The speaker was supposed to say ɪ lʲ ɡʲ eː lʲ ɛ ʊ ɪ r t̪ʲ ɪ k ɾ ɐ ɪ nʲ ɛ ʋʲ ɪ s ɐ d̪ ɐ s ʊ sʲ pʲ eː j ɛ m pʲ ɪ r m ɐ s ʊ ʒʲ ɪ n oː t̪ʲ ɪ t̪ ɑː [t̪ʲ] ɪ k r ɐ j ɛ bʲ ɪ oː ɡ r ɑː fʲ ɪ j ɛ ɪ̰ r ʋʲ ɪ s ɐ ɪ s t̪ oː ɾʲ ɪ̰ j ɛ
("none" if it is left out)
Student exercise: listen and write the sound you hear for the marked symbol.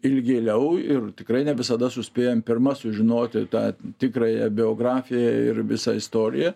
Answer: t̪ʲ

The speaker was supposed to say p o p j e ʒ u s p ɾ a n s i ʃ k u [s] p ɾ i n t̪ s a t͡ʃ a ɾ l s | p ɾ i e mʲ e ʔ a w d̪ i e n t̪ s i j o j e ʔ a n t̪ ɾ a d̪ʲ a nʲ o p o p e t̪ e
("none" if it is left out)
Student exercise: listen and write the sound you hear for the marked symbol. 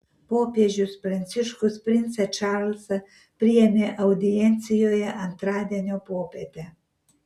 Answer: s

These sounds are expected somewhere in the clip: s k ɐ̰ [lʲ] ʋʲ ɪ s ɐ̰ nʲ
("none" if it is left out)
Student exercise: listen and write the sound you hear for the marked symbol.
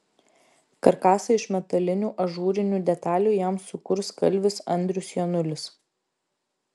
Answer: lʲ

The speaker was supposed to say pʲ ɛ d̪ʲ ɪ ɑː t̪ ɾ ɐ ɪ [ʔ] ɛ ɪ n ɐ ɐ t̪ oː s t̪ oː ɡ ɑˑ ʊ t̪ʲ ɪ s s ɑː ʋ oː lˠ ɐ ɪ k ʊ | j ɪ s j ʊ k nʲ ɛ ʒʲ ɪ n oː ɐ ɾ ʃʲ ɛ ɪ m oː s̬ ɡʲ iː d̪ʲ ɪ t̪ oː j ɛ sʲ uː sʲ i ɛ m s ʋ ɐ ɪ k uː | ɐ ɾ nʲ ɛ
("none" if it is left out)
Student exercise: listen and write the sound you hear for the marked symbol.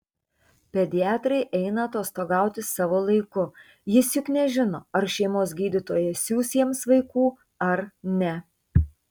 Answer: ʔ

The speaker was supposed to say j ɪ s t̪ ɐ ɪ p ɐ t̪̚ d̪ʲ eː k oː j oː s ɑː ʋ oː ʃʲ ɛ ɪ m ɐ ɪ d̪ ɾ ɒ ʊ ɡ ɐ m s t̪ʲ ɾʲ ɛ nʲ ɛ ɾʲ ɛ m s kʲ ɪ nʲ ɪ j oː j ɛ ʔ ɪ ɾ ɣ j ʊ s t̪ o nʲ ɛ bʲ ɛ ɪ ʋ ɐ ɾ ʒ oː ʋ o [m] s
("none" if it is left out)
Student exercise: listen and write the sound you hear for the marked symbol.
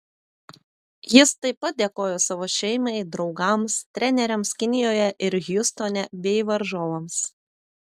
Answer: m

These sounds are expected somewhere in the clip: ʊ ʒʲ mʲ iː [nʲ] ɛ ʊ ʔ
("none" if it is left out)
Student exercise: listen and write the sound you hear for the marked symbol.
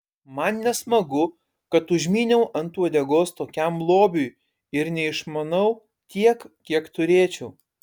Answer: nʲ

